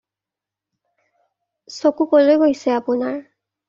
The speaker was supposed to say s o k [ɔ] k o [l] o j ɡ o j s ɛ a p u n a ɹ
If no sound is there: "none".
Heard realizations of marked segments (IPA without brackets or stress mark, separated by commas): u, l